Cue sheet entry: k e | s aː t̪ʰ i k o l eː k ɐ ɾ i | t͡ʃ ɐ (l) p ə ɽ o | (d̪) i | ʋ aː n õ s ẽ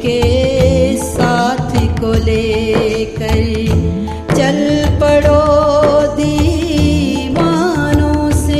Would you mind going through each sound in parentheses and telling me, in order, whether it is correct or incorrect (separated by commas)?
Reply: correct, correct